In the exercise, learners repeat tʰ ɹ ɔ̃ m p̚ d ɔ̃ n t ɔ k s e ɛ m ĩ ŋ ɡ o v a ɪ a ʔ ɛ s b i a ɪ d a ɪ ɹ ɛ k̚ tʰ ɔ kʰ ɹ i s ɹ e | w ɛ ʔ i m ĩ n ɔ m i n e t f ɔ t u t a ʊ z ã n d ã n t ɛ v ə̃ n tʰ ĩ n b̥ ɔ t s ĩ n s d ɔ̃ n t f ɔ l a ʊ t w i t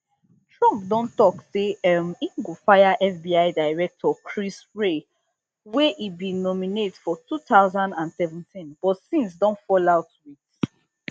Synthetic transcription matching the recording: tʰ ɹ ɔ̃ m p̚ d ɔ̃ n t ɔ k s e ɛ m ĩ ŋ ɡ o f a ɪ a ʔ ɛ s b i a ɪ d a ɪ ɹ ɛ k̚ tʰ ɔ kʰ ɹ i s ɹ e | w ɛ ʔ i b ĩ n ɔ m i n e t f ɔ t u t a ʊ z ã n d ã n s ɛ v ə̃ n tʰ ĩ n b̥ ɔ t s ĩ n s d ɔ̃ n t f ɔ l a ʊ t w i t